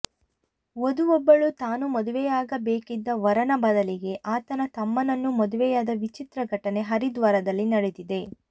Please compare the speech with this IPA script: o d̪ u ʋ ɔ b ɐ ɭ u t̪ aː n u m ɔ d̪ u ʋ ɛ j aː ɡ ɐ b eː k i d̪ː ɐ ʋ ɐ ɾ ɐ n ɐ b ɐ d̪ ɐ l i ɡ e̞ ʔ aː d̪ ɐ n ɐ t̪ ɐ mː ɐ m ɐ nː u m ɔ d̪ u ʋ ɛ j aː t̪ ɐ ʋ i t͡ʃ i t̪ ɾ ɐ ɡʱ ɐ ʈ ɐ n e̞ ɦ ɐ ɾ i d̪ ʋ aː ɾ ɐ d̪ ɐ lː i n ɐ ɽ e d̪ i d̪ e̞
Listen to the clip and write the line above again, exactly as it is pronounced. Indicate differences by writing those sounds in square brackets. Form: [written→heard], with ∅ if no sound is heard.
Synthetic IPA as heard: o d̪ u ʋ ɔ [b→bː] ɐ ɭ u t̪ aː n u m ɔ d̪ u ʋ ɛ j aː ɡ ɐ b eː k i d̪ː ɐ ʋ ɐ ɾ ɐ n ɐ b ɐ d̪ ɐ l i ɡ e̞ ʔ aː [d̪→t̪] ɐ n ɐ t̪ ɐ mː ɐ [m→n] ɐ nː u m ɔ d̪ u ʋ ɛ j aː [t̪→d̪] ɐ ʋ i t͡ʃ i t̪ ɾ ɐ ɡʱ ɐ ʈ ɐ n e̞ ɦ ɐ ɾ i d̪ ʋ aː ɾ ɐ d̪ ɐ lː i n ɐ ɽ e d̪ i d̪ e̞